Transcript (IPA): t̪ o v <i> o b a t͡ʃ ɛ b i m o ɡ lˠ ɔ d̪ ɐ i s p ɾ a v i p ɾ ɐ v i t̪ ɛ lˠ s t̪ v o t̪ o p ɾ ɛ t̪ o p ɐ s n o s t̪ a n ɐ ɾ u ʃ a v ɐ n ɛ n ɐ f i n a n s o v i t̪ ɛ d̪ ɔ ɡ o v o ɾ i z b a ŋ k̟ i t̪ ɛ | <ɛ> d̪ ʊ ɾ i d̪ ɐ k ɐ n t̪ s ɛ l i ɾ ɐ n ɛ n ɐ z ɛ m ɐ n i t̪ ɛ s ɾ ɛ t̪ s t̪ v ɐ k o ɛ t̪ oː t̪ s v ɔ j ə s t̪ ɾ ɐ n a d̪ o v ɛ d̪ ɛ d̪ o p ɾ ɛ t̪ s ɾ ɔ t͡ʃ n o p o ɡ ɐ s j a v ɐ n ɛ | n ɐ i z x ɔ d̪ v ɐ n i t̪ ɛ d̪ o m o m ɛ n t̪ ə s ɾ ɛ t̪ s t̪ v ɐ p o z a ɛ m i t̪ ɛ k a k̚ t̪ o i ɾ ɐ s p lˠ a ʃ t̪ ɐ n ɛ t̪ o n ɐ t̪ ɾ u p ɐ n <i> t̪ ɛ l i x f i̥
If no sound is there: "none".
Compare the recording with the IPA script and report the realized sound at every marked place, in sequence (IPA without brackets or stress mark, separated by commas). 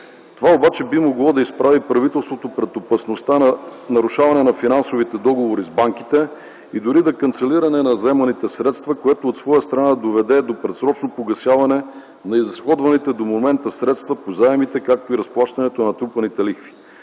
a, i, i